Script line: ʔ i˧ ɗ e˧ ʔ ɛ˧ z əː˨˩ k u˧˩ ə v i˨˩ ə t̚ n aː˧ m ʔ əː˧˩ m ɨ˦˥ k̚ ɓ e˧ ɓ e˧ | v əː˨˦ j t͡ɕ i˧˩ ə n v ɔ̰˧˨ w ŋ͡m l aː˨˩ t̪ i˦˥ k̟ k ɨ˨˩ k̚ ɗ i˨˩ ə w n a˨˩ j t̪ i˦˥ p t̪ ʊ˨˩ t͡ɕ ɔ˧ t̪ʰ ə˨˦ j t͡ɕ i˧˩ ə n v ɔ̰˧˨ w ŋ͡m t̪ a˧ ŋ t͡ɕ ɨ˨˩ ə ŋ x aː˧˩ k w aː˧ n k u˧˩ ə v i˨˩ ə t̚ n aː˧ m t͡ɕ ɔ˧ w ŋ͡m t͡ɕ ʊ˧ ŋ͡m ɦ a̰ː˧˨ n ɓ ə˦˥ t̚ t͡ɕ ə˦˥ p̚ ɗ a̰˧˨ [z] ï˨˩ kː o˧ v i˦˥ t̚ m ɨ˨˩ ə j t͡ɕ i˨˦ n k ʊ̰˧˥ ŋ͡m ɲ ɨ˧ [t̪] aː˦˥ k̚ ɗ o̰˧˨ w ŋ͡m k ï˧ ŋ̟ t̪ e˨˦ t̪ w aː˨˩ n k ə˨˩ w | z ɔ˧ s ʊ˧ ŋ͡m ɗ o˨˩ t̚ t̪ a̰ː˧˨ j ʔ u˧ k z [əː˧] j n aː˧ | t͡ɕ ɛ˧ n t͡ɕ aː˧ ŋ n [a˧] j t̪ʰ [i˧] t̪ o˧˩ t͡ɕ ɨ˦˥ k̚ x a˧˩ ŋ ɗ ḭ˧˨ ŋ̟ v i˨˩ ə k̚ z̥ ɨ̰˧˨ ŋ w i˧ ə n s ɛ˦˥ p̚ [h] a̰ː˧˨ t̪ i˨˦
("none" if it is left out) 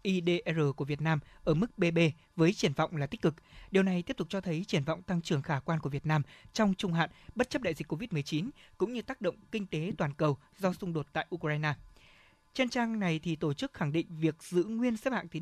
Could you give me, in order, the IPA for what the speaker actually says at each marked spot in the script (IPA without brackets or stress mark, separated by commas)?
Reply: z, t̪, aː˧, a˨˩, i˨˩, h